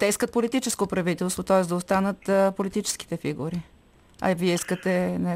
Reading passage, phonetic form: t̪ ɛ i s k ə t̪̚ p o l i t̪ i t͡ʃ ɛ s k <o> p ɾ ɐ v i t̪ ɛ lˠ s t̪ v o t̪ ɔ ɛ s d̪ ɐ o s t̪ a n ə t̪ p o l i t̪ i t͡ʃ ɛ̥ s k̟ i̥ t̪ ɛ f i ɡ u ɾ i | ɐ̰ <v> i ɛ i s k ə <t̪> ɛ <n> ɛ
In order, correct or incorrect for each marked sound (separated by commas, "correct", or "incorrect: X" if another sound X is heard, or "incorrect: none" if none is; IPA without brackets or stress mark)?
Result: correct, correct, correct, correct